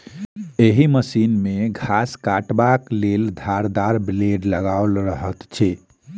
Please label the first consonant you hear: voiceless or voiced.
voiced